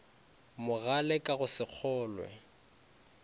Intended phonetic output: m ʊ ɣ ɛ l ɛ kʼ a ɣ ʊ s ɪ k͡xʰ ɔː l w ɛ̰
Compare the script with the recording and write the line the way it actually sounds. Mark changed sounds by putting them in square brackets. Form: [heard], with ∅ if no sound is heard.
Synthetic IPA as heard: m ʊ ɣ [a] l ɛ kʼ a ɣ ʊ s ɪ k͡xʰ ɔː l w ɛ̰